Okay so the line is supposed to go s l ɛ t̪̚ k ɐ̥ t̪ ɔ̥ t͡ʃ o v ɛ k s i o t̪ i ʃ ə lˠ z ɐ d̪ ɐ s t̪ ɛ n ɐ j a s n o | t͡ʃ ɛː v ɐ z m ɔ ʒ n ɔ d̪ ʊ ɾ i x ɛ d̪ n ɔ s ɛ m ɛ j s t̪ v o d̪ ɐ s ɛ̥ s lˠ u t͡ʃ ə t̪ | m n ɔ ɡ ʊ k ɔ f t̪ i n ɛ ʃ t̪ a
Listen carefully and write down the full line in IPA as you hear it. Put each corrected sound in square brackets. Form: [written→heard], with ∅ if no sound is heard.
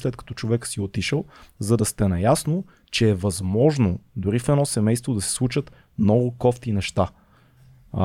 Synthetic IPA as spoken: s l ɛ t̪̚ k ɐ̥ t̪ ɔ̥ t͡ʃ o v ɛ k s i o t̪ i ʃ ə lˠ z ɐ d̪ ɐ s t̪ ɛ n ɐ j a s n o | t͡ʃ ɛː v ɐ z m ɔ ʒ n [ɔ→o] d̪ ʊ ɾ i [x→f] ɛ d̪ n ɔ s ɛ m ɛ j s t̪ v o d̪ ɐ s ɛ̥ s lˠ u t͡ʃ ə t̪ | m n ɔ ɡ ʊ k ɔ f t̪ i n ɛ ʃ t̪ a